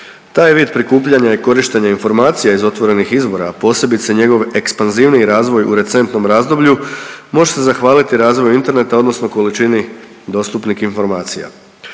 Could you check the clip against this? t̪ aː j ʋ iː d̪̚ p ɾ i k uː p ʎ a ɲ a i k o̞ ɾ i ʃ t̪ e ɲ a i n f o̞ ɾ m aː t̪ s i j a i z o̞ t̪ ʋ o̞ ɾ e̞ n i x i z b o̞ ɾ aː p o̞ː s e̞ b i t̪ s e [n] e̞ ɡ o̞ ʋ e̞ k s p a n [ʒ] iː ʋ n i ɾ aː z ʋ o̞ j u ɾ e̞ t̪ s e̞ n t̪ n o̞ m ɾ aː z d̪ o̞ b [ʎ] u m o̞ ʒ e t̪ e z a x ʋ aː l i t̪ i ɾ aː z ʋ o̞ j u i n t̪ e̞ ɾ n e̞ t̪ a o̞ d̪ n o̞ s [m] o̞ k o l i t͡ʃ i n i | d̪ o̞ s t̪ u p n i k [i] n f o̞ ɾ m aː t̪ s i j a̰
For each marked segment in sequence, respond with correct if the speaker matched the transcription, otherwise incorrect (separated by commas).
incorrect, incorrect, correct, incorrect, correct